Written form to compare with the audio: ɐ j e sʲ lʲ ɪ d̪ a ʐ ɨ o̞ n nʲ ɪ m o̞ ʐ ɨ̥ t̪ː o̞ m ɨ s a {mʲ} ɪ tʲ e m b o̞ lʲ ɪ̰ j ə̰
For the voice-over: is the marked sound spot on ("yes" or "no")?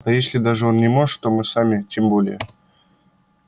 yes